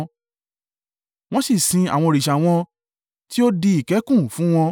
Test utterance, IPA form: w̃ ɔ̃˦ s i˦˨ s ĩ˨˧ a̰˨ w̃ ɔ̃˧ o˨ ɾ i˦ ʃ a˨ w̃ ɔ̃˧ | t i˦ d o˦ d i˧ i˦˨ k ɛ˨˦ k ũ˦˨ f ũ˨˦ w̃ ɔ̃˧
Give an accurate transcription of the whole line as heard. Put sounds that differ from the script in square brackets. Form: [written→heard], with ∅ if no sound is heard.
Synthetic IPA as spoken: w̃ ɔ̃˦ s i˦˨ s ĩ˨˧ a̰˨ w̃ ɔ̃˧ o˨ ɾ [i˦→i˨] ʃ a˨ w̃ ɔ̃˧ | t i˦ [d→∅] o˦ d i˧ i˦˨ k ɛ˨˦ k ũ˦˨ f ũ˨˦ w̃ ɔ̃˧

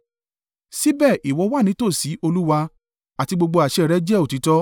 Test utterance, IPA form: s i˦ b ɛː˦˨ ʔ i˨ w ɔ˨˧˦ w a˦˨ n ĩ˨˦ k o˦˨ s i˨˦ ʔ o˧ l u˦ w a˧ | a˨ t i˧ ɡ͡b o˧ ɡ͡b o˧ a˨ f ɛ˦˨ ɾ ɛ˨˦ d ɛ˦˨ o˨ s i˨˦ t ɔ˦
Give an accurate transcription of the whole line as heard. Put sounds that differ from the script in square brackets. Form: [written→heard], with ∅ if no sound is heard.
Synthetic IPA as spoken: s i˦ b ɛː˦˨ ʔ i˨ w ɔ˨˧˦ w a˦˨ n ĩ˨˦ [k→t] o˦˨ s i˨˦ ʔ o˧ l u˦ w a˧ | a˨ t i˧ ɡ͡b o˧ ɡ͡b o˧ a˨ [f→ʃ] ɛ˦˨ ɾ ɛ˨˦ [d→d͡ʒ] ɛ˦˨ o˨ [s→t] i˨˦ t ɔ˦

